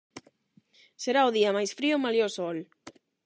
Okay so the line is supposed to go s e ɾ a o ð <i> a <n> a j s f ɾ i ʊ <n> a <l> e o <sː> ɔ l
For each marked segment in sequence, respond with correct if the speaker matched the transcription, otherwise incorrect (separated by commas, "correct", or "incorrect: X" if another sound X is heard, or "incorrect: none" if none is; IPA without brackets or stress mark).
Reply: correct, incorrect: m, incorrect: m, correct, incorrect: s